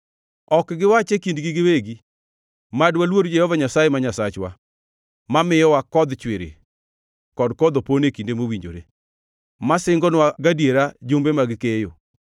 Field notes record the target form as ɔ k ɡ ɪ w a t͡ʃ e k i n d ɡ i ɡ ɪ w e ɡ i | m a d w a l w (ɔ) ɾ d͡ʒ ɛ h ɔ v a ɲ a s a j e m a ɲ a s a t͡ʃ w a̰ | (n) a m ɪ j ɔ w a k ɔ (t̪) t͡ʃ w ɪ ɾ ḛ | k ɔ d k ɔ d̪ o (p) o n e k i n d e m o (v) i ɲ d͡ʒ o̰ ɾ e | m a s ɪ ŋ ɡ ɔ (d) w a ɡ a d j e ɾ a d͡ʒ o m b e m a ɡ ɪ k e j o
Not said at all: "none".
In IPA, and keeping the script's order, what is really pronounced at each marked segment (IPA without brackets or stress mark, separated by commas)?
o, m, d̪, p, w, n